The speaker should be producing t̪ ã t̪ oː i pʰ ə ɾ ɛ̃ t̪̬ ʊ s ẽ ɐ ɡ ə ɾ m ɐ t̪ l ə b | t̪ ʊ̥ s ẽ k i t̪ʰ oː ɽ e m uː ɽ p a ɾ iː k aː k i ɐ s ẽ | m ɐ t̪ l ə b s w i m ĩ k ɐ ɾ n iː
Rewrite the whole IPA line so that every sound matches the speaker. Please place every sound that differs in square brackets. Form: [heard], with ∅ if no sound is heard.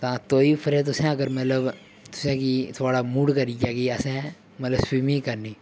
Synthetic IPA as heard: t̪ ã t̪ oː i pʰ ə ɾ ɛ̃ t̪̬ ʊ s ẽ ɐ ɡ ə ɾ m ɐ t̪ l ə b | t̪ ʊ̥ s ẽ k i t̪ʰ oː ɽ [a] m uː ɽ [k] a ɾ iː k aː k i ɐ s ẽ | m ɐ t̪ l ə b s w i m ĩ k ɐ ɾ n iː